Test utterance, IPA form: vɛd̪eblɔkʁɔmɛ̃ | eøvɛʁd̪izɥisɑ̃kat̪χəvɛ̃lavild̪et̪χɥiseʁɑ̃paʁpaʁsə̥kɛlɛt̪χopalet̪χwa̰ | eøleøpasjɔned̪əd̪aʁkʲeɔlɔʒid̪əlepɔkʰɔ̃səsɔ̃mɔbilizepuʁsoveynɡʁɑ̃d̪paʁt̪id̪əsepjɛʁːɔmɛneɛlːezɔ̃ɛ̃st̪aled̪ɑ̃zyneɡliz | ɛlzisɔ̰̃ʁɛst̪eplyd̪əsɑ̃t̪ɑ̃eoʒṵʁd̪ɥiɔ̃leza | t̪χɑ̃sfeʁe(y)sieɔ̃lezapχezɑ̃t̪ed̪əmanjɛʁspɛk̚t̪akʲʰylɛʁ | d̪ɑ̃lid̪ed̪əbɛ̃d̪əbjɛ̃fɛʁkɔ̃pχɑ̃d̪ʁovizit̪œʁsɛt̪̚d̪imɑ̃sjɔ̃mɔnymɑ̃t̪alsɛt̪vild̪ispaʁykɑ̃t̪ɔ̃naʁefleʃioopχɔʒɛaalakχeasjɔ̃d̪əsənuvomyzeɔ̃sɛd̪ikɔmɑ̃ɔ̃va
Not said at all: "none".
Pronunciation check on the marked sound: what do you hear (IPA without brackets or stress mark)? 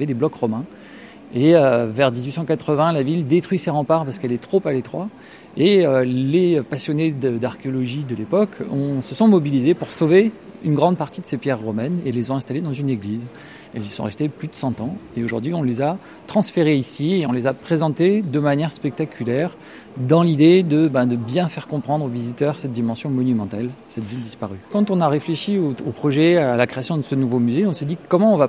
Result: i